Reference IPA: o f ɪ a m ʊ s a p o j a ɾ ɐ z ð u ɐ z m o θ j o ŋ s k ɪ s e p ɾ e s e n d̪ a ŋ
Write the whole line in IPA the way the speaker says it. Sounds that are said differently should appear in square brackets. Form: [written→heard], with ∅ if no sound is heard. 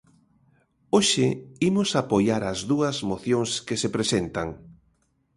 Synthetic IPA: o [f→ʃ] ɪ [a→i] m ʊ s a p o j a ɾ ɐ z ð u ɐ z m o θ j o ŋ s k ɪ s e p ɾ e s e n [d̪→t̪] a ŋ

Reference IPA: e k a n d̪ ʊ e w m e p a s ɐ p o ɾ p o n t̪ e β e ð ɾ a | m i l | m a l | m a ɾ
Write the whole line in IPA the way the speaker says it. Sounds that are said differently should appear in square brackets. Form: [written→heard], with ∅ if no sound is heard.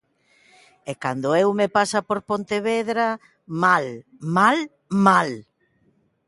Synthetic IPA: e k a n d̪ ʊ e w m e p a s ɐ p o ɾ p o n t̪ e β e ð ɾ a | m [i→a] l | m a l | m a [ɾ→l]

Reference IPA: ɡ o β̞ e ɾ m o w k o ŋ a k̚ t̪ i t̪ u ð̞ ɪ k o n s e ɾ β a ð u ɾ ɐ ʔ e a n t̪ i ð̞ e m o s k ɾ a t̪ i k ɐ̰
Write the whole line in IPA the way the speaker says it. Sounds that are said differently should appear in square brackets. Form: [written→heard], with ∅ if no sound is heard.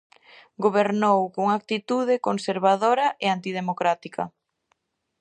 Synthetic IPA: ɡ o β̞ e ɾ [m→n] o w k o ŋ a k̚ t̪ i t̪ u ð̞ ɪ k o n s e ɾ β a ð [u→o] ɾ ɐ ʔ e a n t̪ i ð̞ e m o [s→∅] k ɾ a t̪ i k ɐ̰

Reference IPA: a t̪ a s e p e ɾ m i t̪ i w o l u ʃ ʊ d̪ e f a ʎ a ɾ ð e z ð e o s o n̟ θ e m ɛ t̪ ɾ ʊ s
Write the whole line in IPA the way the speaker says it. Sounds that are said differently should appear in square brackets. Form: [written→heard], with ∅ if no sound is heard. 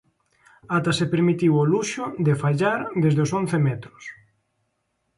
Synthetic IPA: a t̪ a s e p e ɾ m i t̪ i w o l u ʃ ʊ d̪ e f a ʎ a ɾ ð e z ð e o s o n̟ θ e m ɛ t̪ ɾ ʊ s

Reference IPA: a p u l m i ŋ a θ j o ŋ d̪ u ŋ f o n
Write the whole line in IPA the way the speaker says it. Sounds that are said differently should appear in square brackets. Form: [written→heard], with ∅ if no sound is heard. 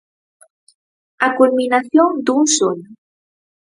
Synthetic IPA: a [p→k] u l m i [ŋ→n] a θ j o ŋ d̪ u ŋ [f→s] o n

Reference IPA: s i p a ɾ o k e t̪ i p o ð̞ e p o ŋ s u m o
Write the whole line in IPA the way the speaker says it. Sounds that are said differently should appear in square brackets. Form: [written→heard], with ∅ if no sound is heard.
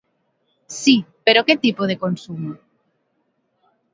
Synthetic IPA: s i p [a→e] ɾ o k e t̪ i p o ð̞ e [p→k] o [ŋ→n] s u m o

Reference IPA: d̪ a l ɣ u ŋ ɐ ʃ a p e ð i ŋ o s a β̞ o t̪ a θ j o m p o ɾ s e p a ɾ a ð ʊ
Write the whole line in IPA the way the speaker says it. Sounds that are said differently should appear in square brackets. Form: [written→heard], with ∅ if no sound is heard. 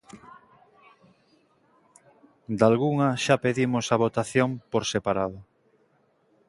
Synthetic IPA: d̪ a l ɣ u ŋ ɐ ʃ a p e ð i [ŋ→m] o s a β̞ o t̪ a θ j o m p o ɾ s e p a ɾ a ð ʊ

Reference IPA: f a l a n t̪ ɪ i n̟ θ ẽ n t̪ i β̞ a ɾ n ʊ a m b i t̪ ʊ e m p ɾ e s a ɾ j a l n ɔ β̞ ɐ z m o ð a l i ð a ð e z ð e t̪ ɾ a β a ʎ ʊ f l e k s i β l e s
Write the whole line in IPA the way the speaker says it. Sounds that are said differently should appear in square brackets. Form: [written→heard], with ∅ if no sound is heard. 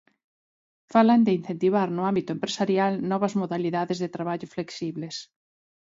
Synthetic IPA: f a l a n [t̪→d̪] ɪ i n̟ θ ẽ n t̪ i β̞ a ɾ n ʊ a m b i t̪ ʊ e m p ɾ e s a ɾ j a l n ɔ β̞ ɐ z m o ð a l i ð a ð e z ð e t̪ ɾ a β a ʎ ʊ f l e k s i β l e s

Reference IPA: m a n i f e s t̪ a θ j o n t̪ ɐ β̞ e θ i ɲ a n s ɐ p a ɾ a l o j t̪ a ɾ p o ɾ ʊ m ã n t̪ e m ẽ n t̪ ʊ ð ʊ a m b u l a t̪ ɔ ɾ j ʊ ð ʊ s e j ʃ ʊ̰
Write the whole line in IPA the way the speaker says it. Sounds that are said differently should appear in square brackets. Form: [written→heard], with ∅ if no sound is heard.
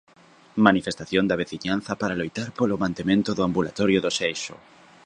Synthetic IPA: m a n i f e s t̪ a θ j o n [t̪→d̪] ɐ β̞ e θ i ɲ a n [s→θ] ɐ p a ɾ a l o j t̪ a ɾ p o [ɾ→l] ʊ m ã n t̪ e m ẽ n t̪ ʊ ð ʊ a m b u l a t̪ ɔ ɾ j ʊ ð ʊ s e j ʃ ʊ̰

